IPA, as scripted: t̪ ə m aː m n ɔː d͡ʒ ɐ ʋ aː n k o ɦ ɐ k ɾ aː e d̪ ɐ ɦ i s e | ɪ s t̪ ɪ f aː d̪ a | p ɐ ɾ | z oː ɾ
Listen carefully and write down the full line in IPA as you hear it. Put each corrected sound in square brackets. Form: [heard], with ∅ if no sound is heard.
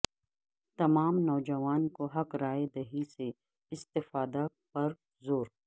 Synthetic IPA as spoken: t̪ [ɐ] m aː m n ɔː d͡ʒ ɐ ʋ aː n k o ɦ ɐ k ɾ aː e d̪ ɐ ɦ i s e | ɪ s t̪ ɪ f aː d̪ a | p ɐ ɾ | z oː ɾ